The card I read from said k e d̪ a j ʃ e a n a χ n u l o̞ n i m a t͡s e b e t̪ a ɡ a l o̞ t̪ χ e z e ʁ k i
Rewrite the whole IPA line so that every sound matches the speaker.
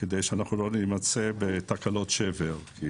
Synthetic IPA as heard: k e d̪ e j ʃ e a n a χ n u l o̞ n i m a t͡s e b e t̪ a k a l o̞ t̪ ʃ e v e ʁ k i